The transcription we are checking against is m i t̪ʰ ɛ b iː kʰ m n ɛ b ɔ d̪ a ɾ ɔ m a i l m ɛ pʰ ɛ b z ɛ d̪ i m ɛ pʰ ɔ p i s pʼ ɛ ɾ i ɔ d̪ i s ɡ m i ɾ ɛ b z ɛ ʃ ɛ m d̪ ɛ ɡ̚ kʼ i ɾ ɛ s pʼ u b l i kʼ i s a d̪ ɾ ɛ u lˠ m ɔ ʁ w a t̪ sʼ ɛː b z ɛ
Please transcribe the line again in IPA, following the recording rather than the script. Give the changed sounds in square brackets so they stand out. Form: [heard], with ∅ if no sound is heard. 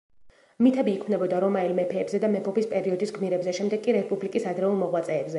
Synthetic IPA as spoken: m i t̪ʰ ɛ b iː kʰ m n ɛ b ɔ d̪ a ɾ ɔ m a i l m ɛ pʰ [ɛː] b z ɛ d̪ [a] m ɛ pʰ ɔ p i s pʼ ɛ ɾ i ɔ d̪ i s ɡ m i ɾ ɛ b z ɛ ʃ ɛ m d̪ ɛ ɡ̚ kʼ i ɾ ɛ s pʼ u b l i kʼ i s a d̪ ɾ ɛ u lˠ m ɔ ʁ w a t̪ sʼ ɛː b z ɛ

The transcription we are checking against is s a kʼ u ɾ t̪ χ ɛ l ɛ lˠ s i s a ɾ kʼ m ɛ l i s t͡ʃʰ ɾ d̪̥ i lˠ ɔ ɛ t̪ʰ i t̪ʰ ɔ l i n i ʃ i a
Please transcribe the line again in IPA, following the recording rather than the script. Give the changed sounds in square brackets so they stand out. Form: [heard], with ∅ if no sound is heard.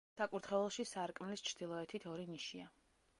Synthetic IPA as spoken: s a kʼ u ɾ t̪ χ ɛ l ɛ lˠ [ʃ] i s a ɾ kʼ m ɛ l i s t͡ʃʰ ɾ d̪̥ i lˠ ɔ ɛ t̪ʰ i t̪ʰ ɔ [ɾ] i n i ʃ i a

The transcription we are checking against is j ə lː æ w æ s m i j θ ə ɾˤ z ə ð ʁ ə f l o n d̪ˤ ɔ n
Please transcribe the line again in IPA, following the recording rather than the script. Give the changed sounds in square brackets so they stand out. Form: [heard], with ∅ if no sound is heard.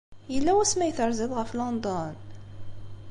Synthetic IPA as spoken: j ə lː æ w æ s m [æ] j θ ə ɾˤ z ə ð ʁ ə f l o n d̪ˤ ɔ n

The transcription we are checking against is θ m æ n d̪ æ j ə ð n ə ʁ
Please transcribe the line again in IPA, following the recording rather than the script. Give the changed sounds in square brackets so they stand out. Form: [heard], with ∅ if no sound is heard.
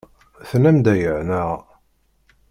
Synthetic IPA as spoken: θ [n] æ [m] d̪ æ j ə [ʕ] n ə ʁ

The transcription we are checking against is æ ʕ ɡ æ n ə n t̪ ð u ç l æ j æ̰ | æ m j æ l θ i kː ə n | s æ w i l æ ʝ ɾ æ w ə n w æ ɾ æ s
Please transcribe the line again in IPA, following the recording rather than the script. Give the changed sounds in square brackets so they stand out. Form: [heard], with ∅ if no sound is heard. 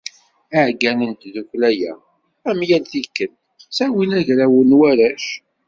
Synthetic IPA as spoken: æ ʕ ɡ æ n ə n t̪ ð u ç l æ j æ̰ | æ m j æ l θ i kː ə n | s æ w i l æ ʝ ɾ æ w ə n w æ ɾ æ [ʃ]

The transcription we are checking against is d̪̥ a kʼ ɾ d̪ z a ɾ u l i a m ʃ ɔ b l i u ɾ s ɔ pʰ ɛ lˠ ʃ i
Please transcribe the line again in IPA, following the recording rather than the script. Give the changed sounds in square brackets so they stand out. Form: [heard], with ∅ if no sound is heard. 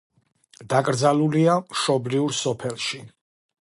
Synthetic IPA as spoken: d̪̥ a kʼ ɾ d̪ z a [l] u l i a m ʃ ɔ b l i u ɾ s ɔ pʰ ɛ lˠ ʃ i

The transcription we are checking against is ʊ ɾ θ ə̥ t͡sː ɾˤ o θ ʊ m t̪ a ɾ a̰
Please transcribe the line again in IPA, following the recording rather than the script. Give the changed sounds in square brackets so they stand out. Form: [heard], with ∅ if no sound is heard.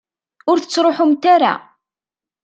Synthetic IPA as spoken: ʊ ɾ θ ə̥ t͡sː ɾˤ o [ħ] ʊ m t̪ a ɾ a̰

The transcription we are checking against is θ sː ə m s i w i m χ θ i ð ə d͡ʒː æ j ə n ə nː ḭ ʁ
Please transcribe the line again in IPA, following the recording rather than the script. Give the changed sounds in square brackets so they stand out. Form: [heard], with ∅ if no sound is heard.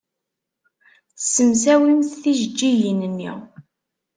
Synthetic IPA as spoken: θ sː ə m s [æ] w i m [θ] θ i [ʒ] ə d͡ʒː [i] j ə n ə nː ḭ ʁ

